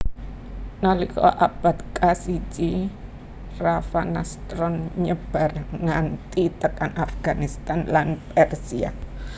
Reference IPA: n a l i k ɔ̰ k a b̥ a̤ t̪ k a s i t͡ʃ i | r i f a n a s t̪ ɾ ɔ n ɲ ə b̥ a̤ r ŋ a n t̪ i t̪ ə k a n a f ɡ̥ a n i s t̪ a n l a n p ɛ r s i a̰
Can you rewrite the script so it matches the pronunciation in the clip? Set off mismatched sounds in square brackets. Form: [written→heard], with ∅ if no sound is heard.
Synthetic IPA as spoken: n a l i k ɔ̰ [k→ʔ] a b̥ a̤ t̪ k a s i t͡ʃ i | r [i→a] f a n a s t̪ ɾ ɔ n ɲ ə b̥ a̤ r ŋ a n t̪ i t̪ ə k a n a f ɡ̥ a n i s t̪ a n l a n p ɛ r s i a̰